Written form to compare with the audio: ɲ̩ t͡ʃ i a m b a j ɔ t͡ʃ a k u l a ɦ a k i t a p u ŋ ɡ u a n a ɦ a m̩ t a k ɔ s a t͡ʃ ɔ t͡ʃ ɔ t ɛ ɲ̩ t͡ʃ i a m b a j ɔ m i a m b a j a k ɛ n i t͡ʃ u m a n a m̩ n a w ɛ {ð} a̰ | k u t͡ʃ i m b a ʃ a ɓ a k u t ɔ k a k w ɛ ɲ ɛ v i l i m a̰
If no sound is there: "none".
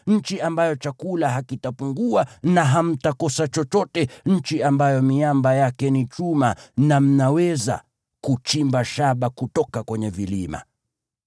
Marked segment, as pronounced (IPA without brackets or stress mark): z